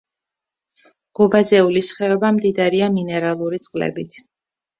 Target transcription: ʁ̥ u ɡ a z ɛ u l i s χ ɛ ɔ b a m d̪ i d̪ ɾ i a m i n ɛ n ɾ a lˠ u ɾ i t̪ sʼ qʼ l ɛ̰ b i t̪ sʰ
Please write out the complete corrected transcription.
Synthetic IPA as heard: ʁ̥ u b a z ɛ u l i s χ ɛ ɔ b a m d̪ i d̪ ɾ i a m i n ɛ ɾ a lˠ u ɾ i t̪ sʼ qʼ l ɛ̰ b i t̪ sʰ